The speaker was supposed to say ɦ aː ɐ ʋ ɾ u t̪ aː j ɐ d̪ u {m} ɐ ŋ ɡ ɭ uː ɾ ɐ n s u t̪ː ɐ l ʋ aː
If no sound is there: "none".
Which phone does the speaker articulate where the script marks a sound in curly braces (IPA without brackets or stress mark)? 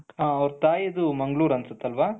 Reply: m